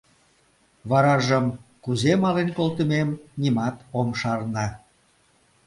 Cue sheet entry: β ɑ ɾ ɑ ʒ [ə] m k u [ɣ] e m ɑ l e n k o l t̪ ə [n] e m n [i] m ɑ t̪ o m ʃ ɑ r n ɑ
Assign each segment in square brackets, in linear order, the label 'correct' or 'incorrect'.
correct, incorrect: z, incorrect: m, correct

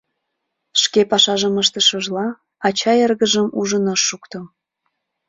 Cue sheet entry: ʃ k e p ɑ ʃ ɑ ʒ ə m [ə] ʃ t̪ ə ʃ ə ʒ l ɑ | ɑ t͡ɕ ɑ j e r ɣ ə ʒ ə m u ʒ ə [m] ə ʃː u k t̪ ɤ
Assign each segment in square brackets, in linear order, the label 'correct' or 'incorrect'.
correct, incorrect: n

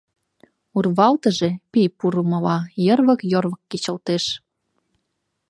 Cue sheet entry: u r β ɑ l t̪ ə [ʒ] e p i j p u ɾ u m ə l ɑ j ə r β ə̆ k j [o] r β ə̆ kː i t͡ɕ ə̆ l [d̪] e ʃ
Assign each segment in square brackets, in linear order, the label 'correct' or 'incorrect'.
correct, correct, incorrect: t̪

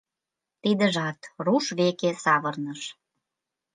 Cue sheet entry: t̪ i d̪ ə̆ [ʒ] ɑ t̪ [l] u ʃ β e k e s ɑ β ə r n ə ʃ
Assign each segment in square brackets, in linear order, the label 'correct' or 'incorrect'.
correct, incorrect: r

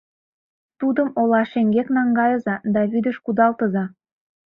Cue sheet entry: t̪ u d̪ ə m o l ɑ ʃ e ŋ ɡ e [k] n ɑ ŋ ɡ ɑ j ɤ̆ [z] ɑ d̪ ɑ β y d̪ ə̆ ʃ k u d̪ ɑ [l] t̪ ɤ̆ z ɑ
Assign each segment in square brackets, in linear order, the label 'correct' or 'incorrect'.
correct, correct, correct

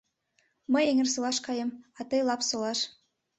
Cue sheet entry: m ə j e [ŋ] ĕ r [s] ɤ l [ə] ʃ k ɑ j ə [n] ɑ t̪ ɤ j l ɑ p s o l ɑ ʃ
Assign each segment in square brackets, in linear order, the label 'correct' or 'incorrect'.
correct, correct, incorrect: ɑ, incorrect: m

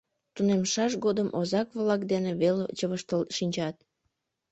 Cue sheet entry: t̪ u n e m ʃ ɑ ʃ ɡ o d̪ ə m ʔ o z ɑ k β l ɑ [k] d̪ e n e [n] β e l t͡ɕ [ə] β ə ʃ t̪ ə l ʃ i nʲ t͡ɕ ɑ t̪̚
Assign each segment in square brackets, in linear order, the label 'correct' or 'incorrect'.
correct, incorrect: none, correct

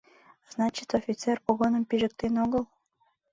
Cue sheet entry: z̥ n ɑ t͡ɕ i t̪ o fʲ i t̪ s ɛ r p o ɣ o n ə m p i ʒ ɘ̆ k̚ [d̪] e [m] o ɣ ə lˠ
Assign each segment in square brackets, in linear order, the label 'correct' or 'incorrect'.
incorrect: t̪, incorrect: n

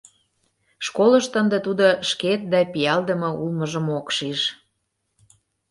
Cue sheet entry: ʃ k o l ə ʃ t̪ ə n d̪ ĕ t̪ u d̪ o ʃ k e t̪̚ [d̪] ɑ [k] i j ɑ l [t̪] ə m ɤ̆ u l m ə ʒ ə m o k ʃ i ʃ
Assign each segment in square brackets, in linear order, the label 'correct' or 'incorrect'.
correct, incorrect: p, incorrect: d̪

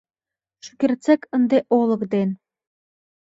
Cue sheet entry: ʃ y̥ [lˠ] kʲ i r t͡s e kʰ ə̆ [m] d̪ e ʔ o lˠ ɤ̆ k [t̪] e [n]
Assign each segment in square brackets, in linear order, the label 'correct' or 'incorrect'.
incorrect: none, incorrect: n, incorrect: d̪, correct

